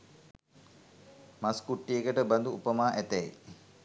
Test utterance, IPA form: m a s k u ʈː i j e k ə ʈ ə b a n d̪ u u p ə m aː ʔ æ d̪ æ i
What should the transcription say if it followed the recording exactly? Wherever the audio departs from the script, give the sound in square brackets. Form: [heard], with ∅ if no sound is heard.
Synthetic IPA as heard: m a s k u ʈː i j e k ə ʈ ə b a n d̪ u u p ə m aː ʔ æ [t̪] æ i